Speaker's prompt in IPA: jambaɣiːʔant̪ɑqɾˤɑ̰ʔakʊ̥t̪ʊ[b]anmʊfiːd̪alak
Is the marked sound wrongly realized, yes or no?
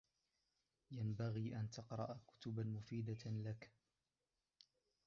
no